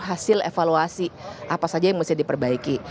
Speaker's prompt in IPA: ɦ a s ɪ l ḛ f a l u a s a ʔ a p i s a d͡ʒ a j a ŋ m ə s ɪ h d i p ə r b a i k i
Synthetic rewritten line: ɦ a s ɪ l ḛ f a l u a s i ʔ a p a s a d͡ʒ a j a ŋ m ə s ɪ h d i p ə r b a i k i